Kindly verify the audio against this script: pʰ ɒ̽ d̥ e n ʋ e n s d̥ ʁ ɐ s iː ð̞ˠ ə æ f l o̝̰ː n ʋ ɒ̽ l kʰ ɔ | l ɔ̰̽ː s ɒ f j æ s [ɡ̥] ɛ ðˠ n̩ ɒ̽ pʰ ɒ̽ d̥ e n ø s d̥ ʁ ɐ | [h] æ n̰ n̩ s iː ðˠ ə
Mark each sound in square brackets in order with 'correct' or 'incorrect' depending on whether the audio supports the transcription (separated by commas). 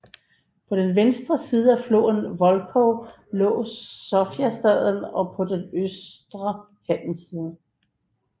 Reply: incorrect, correct